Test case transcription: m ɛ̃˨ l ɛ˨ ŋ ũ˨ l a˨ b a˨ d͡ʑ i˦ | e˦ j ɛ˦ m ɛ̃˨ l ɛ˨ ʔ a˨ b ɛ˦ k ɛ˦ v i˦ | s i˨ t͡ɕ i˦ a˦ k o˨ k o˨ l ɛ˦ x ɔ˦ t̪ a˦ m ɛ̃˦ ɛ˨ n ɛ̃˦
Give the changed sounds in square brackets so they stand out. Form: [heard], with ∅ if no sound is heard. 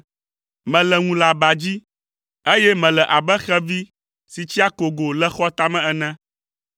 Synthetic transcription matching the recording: m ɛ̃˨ l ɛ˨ ŋ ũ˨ l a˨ b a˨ d͡ʑ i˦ | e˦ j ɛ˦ m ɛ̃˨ l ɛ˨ ʔ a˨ b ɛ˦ [x] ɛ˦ v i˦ | s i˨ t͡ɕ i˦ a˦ k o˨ [ɡ] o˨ l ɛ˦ x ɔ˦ t̪ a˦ m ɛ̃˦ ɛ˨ n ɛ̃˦